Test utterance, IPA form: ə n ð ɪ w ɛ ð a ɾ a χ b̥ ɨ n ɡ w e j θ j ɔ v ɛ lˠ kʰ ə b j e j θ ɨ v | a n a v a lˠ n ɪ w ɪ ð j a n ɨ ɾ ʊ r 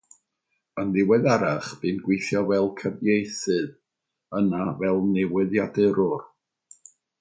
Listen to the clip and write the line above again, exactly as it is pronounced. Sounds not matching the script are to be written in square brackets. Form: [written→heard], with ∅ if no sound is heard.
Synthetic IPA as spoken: ə n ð ɪ w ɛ ð a ɾ a χ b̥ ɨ n ɡ w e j θ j ɔ v ɛ lˠ kʰ ə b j e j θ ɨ [v→ð] | [a→ə] n a v [a→ɛ] lˠ n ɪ w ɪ ð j a [n→d] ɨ ɾ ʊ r